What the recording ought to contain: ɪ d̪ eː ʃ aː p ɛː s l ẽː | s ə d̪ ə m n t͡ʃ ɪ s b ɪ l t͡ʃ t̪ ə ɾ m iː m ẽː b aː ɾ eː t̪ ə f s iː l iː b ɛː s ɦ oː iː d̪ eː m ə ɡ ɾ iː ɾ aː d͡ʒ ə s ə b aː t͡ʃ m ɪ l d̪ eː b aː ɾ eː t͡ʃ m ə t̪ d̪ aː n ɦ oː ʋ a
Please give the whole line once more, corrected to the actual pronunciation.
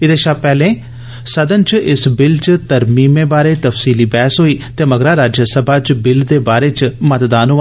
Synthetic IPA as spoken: ɪ d̪ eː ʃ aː p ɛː l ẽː | s ə d̪ ə n t͡ʃ ɪ s b ɪ l t͡ʃ t̪ ə ɾ m iː m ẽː b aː ɾ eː t̪ ə f s iː l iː b ɛː s ɦ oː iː t̪ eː m ə ɡ ɾ aː ɾ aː d͡ʒ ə s ə b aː t͡ʃ b ɪ l d̪ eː b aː ɾ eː t͡ʃ m ə t̪ d̪ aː n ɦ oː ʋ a